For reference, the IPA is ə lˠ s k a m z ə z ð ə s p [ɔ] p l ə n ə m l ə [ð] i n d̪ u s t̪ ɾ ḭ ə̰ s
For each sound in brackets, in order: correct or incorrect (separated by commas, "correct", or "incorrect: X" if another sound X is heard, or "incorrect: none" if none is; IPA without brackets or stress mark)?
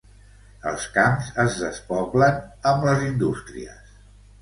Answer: correct, incorrect: z